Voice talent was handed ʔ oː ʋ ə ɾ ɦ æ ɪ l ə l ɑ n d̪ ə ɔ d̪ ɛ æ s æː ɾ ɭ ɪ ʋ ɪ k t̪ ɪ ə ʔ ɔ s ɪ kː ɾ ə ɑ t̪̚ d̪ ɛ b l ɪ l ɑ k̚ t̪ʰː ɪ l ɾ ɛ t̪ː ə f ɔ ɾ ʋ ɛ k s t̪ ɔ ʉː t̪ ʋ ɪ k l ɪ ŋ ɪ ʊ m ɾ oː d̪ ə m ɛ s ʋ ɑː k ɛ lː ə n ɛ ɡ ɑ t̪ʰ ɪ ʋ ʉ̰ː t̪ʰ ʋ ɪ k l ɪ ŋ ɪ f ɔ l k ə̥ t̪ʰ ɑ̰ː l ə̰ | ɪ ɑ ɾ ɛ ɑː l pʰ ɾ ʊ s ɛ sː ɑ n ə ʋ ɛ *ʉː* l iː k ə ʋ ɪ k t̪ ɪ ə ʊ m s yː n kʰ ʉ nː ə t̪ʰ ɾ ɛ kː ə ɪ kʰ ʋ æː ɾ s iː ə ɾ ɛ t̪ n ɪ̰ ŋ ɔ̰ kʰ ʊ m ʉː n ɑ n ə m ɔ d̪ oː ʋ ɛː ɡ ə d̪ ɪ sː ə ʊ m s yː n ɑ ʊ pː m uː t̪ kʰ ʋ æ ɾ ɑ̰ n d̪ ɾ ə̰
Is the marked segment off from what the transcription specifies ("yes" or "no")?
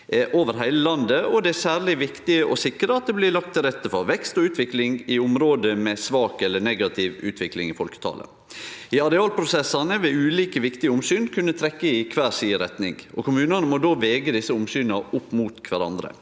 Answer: no